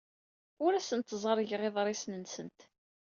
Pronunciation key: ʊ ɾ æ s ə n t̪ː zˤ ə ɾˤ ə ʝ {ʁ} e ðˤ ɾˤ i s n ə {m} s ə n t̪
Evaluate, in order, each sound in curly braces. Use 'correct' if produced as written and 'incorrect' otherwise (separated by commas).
correct, incorrect